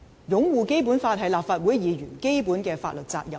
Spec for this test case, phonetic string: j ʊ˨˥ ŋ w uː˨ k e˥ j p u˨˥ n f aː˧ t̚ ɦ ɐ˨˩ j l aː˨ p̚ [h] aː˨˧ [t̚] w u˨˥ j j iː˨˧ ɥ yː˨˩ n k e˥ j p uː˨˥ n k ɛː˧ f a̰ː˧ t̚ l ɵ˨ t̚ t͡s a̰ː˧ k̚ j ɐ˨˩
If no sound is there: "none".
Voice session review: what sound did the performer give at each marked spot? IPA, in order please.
f, t̚

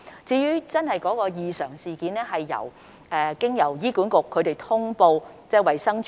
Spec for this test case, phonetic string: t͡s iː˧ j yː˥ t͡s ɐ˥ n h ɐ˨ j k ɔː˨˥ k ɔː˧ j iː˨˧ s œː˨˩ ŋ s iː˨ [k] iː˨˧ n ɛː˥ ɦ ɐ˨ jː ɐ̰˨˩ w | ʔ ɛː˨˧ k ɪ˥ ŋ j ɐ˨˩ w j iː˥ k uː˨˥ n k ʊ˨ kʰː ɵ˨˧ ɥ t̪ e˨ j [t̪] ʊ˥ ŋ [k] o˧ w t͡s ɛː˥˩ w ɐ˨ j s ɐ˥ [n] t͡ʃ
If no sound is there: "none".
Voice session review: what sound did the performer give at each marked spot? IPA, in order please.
k, t̪ʰ, p, ŋ

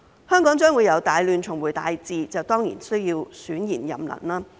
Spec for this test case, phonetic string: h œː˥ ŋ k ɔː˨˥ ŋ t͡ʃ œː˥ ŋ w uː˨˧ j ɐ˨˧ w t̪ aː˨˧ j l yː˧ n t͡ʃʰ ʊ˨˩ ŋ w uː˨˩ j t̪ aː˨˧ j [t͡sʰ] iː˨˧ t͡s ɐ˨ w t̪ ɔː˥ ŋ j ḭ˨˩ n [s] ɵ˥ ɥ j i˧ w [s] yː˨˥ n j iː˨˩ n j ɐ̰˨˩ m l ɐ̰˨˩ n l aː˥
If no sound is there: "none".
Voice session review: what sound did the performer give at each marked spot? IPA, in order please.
t͡s, s, s

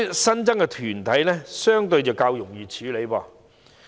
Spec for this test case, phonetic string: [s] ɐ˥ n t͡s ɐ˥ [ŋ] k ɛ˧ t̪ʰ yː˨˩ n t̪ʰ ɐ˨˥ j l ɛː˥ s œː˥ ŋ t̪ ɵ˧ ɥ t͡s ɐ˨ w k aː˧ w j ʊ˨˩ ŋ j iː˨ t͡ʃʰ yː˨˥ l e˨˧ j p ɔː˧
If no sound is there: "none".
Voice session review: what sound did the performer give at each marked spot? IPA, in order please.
s, ŋ

